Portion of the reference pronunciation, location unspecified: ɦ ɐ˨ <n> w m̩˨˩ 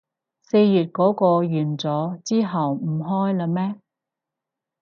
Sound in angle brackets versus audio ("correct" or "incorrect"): incorrect